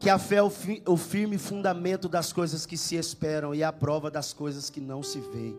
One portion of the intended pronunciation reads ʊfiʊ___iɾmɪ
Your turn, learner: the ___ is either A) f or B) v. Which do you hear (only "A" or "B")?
A